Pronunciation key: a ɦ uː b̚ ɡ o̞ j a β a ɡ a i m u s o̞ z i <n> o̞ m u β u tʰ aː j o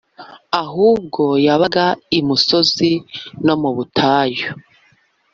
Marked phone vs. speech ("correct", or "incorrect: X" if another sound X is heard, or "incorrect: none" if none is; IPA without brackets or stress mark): correct